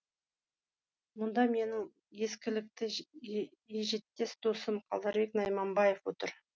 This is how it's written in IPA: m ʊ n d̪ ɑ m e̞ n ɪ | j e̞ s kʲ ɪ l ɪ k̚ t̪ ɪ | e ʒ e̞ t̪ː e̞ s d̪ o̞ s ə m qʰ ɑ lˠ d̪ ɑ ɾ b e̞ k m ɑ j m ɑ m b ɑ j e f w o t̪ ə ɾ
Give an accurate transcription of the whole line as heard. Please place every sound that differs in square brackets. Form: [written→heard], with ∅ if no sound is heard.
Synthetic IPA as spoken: m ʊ n d̪ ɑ m e̞ n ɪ | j e̞ s kʲ ɪ l ɪ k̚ t̪ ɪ | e ʒ e̞ t̪ː e̞ s d̪ o̞ s ə m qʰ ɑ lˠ d̪ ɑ ɾ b e̞ k [m→n] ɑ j m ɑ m b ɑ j e f w o t̪ ə ɾ

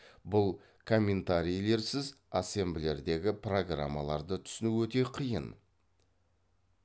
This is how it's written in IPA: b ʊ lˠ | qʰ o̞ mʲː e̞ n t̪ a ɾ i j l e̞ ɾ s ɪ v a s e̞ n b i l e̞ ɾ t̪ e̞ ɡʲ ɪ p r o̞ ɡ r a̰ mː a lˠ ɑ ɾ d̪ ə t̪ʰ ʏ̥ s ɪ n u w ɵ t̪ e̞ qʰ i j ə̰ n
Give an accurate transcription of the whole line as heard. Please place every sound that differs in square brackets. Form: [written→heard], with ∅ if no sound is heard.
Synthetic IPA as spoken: b ʊ lˠ | [qʰ→kʰ] o̞ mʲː e̞ n t̪ a ɾ i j l e̞ ɾ s ɪ [v→z] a s e̞ [n→m] b [i→ɪ] l e̞ ɾ [t̪→d̪] e̞ ɡʲ ɪ p r o̞ ɡ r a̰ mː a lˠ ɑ ɾ d̪ ə t̪ʰ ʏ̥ s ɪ n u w ɵ t̪ e̞ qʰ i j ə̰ n

